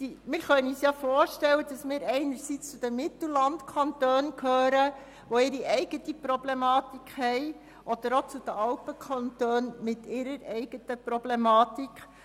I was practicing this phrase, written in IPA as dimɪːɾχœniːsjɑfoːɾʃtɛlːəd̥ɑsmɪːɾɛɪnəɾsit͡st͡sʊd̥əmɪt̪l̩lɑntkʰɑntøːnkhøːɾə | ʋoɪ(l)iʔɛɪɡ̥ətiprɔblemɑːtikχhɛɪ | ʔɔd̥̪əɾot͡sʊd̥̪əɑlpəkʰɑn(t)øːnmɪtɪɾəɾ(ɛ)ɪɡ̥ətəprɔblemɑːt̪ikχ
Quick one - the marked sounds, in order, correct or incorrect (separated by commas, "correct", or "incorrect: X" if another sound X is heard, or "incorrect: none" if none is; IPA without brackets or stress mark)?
incorrect: ɾ, correct, correct